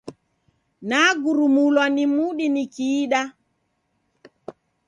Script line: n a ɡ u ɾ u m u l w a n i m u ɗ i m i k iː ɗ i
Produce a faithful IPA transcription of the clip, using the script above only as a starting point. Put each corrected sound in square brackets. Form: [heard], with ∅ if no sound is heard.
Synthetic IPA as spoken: n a ɡ u ɾ u m u l w a n i m u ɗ i [n] i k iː ɗ [a]